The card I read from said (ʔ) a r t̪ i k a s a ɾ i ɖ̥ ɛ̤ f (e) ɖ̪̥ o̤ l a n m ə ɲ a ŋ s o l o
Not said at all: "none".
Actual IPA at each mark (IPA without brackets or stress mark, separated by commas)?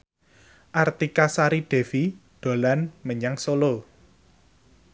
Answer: ʔ, i